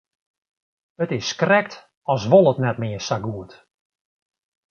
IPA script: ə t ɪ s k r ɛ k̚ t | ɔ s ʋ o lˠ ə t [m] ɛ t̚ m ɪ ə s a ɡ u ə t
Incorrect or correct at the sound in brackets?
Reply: incorrect: n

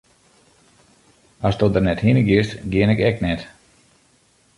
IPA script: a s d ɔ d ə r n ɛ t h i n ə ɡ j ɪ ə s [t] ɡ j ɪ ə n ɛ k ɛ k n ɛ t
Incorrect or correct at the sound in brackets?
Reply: correct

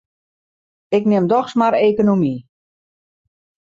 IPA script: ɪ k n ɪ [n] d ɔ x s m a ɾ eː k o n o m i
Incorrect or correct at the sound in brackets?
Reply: incorrect: m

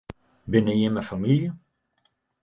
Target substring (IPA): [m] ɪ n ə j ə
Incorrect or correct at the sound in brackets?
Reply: incorrect: b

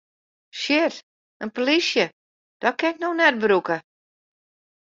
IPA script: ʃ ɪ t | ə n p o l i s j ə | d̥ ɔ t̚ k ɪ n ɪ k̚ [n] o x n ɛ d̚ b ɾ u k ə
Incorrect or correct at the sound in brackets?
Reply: correct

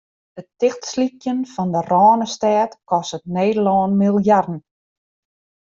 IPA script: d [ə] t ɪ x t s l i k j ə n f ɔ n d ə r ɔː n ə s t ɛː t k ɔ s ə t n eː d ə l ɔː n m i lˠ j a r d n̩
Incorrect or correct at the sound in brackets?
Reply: correct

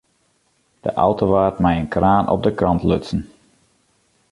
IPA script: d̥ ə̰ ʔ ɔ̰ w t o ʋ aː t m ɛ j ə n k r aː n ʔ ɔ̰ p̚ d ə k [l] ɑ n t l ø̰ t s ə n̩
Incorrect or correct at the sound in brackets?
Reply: incorrect: r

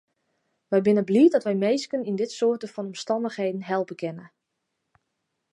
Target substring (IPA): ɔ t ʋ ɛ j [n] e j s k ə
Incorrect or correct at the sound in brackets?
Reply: incorrect: m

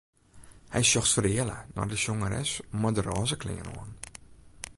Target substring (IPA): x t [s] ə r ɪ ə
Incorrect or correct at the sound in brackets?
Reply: incorrect: f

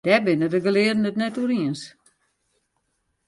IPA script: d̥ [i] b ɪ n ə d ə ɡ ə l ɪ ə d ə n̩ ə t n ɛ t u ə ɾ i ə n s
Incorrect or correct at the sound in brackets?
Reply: incorrect: ɛ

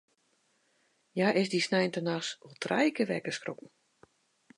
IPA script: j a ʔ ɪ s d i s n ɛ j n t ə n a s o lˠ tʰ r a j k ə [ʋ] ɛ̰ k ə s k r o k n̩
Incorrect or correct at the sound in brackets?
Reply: correct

